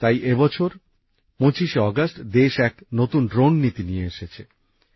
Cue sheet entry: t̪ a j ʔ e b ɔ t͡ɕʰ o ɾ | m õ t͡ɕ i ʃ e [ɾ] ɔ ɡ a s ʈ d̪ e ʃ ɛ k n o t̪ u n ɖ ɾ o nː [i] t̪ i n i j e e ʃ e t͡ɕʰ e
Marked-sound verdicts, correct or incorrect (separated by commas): incorrect, correct